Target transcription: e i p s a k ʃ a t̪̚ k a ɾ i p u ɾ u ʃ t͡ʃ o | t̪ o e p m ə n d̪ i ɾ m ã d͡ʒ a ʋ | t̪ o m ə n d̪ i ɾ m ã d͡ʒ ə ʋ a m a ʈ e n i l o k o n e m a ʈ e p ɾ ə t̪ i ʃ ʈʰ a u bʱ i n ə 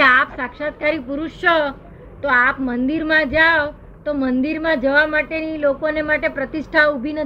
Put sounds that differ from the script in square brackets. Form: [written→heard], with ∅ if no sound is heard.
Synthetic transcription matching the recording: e [i→a] p s a k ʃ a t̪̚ k a ɾ i p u ɾ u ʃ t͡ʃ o | t̪ o [e→a] p m ə n d̪ i ɾ m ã d͡ʒ a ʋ | t̪ o m ə n d̪ i ɾ m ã d͡ʒ ə ʋ a m a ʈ e n i l o k o n e m a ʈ e p ɾ ə t̪ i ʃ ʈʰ a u bʱ i n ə